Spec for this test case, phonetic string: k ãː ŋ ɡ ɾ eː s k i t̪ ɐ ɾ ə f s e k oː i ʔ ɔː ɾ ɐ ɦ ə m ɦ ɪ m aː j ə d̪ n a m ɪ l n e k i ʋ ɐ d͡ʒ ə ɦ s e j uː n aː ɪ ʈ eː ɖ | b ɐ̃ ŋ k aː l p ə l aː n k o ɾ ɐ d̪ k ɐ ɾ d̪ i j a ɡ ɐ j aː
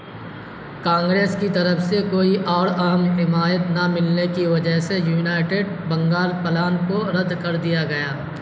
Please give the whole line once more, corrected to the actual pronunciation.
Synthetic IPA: k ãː ŋ ɡ ɾ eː s k i t̪ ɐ ɾ ə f s e k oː i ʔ ɔː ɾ ɐ ɦ ə m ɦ ɪ m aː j ə t̪ n a m ɪ l n e k i ʋ ɐ d͡ʒ ə ɦ s e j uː n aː ɪ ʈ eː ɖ | b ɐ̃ ŋ ɡ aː l p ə l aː n k o ɾ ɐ d̪ k ɐ ɾ d̪ i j a ɡ ɐ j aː